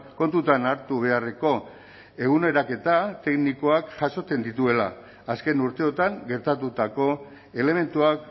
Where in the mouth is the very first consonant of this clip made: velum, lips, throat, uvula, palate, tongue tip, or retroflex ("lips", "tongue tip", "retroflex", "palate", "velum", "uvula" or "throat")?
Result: velum